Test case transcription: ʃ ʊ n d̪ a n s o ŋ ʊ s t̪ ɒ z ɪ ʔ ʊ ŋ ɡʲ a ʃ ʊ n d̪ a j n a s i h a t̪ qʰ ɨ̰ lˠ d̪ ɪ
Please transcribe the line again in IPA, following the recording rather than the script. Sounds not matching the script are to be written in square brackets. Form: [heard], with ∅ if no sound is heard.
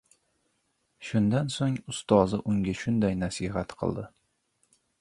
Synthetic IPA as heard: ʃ ʊ n d̪ a n s o ŋ ʊ s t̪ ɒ z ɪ ʔ ʊ ŋ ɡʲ a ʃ ʊ n d̪ a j n a s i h a t̪ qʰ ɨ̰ lˠ d̪ ɪ